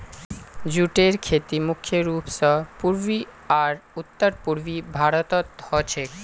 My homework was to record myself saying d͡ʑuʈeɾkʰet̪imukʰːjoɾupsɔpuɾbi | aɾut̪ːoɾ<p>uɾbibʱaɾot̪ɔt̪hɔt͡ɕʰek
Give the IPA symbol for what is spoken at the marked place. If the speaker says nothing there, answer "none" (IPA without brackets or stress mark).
p